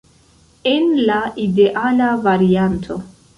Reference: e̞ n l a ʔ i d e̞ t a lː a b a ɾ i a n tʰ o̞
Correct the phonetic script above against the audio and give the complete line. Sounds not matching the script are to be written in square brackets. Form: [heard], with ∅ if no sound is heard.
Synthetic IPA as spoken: e̞ n l a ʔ i d e̞ [ʔ] a [l] a [v] a ɾ i a n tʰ o̞

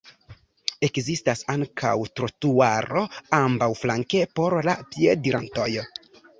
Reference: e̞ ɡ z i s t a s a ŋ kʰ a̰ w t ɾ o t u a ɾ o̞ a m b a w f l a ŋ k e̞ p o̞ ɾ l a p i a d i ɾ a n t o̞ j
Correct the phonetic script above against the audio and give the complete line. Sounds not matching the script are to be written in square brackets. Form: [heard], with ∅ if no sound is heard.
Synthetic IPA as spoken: e̞ [k] z i s t a s a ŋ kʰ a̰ w t ɾ o t u a ɾ o̞ a m b a w f l a ŋ k e̞ p o̞ ɾ l a p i [e] d i ɾ a n t o̞ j

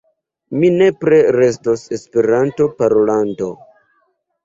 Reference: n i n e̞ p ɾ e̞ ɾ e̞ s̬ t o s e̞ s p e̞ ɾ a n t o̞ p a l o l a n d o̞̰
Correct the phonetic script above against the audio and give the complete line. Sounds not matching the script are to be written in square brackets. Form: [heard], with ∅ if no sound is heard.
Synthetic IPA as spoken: [m] i n e̞ p ɾ e̞ ɾ e̞ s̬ t o s e̞ s p e̞ ɾ a n t o̞ p a [ɾ] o l a n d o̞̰

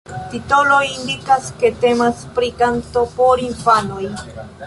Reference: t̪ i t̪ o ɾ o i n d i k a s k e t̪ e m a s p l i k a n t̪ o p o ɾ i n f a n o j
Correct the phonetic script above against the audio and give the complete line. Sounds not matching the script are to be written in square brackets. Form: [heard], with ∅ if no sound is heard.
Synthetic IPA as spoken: t̪ i t̪ o [l] o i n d i k a s k e t̪ e m a s p [ɾ] i k a n t̪ o p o ɾ i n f a n o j

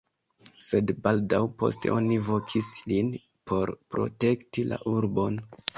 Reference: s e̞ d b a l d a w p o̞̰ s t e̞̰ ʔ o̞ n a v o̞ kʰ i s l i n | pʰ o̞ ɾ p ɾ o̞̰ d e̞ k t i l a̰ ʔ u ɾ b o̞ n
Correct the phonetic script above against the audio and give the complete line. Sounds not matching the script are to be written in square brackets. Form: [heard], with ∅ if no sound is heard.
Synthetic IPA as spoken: s e̞ d b a l d a w p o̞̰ s t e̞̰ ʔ o̞ n [i] v o̞ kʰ i s l i n | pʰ o̞ ɾ p ɾ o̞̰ [t] e̞ k t i l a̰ ʔ u ɾ b o̞ n

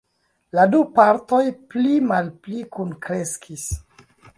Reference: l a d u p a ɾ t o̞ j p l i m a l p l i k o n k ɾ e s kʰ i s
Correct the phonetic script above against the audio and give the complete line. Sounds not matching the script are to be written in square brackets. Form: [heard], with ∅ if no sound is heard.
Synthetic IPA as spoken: l a d u p a ɾ t o̞ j p l i m a l p l i k [u] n k ɾ e s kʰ i s

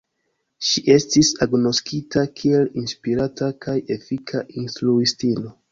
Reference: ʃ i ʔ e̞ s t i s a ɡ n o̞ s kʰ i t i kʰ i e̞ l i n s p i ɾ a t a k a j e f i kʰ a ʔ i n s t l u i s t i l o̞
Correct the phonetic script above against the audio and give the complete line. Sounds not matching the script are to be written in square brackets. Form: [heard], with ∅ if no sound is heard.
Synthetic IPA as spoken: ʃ i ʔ e̞ s t i s a ɡ n o̞ s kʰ i t [a] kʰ i e̞ l i n s p i ɾ a t a k a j e f i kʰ a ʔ i n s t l u i s t i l o̞

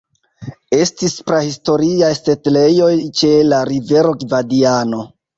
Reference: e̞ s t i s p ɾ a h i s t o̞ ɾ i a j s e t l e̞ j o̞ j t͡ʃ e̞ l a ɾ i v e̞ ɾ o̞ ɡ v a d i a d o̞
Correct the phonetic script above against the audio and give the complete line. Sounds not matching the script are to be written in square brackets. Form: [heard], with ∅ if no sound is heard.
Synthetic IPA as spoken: e̞ s t i s p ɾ a h i s t o̞ ɾ i a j s e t l e̞ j o̞ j t͡ʃ e̞ l a ɾ i v e̞ ɾ o̞ ɡ v a d i a [n] o̞

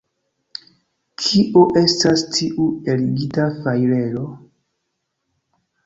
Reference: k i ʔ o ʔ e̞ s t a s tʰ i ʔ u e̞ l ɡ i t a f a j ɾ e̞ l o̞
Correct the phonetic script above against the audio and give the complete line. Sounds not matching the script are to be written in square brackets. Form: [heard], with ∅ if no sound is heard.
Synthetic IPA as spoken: [kʰ] i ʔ o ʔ e̞ s t a s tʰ i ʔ u e̞ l ɡ i t a f a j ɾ e̞ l o̞

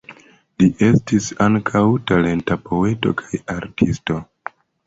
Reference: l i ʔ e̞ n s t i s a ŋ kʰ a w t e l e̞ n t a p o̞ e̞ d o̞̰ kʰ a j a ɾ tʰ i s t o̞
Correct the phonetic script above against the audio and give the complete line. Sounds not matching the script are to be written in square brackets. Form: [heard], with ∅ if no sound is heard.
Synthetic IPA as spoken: l i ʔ e̞ [∅] s t i s a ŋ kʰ a w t [a] l e̞ n t a p o̞ e̞ [t] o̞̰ kʰ a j a ɾ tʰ i s t o̞

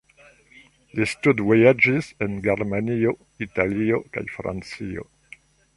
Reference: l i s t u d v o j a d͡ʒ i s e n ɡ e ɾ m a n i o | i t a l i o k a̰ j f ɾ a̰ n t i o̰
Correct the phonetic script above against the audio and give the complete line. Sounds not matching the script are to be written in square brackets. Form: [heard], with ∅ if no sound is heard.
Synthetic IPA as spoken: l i s t u d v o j a d͡ʒ i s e n ɡ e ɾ m a n i o | i t a l i o k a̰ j f ɾ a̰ n [t͡s] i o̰

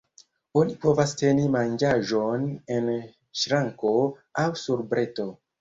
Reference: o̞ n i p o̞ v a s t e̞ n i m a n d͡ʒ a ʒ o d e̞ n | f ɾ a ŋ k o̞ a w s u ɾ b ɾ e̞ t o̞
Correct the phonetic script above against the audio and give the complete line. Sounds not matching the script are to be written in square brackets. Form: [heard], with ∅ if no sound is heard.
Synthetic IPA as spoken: o̞ n i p o̞ v a s t e̞ n i m a n d͡ʒ a ʒ o [n] e̞ n | [ʃ] ɾ a ŋ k o̞ a w s u ɾ b ɾ e̞ t o̞

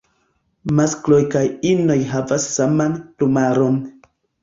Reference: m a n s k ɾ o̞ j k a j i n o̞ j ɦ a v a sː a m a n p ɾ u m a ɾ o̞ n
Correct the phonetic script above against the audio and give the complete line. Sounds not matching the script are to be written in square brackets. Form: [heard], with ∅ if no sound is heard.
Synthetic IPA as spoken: m a [∅] s k [l] o̞ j k a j i n o̞ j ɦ a v a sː a m a n p [l] u m a ɾ o̞ n

